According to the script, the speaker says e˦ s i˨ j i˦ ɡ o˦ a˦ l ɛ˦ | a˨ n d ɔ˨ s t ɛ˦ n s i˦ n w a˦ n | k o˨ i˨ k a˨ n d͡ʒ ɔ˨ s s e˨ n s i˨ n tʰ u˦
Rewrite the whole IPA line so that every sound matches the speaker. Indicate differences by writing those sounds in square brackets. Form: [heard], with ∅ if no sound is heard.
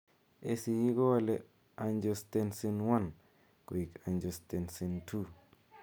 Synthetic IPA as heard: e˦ s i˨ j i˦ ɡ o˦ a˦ l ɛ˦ | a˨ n [d͡ʒ] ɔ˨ s t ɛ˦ n s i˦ n w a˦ n | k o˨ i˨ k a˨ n d͡ʒ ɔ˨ s [t] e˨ n s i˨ n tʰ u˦